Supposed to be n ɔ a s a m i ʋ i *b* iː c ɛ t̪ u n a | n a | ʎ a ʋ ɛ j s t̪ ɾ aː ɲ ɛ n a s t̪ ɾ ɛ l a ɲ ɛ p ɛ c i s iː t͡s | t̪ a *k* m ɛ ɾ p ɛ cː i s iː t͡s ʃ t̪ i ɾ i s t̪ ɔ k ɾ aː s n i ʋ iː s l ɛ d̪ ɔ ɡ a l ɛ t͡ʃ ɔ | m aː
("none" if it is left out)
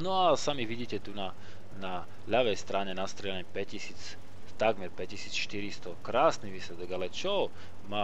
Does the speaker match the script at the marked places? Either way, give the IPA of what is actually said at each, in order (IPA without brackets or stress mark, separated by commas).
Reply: ɟ, ɡ